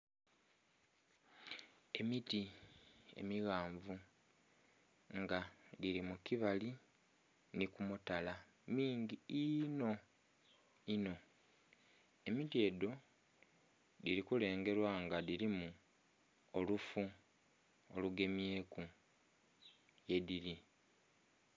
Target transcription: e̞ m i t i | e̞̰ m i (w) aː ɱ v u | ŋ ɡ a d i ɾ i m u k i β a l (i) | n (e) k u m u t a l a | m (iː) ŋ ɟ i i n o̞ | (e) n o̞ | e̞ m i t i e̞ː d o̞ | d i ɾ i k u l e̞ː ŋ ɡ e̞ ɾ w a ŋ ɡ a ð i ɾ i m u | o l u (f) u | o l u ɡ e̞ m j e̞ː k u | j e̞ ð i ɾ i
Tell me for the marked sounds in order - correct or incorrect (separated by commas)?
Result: incorrect, correct, incorrect, correct, incorrect, correct